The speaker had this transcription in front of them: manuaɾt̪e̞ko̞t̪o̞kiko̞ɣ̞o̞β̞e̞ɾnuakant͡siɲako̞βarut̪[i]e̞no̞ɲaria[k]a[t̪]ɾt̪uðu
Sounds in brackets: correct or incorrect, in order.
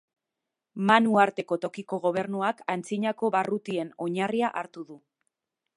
correct, incorrect, incorrect

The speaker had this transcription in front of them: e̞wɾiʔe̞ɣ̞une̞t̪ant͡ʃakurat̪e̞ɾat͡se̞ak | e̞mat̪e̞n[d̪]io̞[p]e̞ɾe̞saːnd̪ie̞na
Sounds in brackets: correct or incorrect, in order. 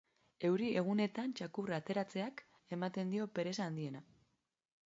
correct, correct

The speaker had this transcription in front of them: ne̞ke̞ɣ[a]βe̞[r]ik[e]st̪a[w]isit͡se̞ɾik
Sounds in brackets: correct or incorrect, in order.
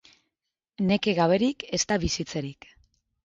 correct, incorrect, correct, incorrect

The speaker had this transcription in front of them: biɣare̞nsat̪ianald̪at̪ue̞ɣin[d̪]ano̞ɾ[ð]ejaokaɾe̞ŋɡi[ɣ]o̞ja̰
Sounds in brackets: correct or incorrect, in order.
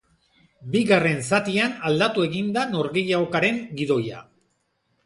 correct, incorrect, incorrect

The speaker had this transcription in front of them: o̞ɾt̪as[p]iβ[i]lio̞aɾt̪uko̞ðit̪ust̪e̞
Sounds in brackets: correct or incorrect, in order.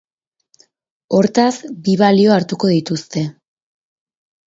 incorrect, incorrect

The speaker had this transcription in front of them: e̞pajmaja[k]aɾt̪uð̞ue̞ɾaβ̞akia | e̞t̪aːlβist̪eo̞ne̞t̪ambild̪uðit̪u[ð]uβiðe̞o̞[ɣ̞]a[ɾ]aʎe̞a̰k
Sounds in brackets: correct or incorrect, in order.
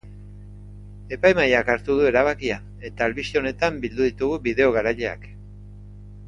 correct, incorrect, correct, correct

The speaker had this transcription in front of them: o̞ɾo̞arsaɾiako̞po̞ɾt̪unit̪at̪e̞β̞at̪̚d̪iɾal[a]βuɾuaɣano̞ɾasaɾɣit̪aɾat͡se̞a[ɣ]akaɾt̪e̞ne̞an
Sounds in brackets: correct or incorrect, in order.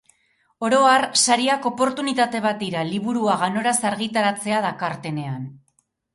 incorrect, incorrect

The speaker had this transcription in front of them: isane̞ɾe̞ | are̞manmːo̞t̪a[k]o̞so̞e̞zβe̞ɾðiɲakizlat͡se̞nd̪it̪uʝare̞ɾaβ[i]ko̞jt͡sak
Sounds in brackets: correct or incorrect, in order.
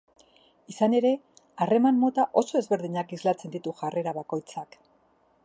incorrect, incorrect

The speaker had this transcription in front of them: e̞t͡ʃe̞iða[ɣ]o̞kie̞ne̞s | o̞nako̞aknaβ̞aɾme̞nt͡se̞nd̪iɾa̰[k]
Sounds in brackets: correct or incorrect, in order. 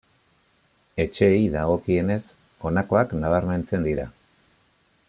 correct, incorrect

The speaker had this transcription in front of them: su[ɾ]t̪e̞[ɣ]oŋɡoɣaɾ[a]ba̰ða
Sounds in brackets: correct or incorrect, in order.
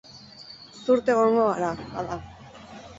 correct, correct, correct

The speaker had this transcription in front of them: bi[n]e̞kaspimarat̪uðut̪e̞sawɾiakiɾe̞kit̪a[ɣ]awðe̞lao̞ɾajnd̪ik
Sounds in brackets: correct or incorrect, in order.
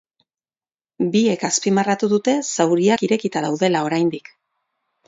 incorrect, incorrect

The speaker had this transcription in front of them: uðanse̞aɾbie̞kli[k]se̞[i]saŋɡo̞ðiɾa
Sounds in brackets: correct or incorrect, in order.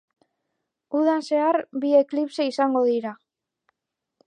incorrect, correct

